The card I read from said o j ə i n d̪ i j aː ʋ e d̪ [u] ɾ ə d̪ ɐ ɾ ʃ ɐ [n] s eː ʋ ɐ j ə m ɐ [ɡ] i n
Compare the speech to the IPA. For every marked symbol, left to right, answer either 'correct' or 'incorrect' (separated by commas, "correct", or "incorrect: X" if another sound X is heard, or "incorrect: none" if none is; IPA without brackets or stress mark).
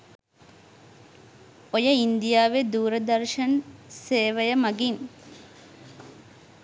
incorrect: uː, correct, correct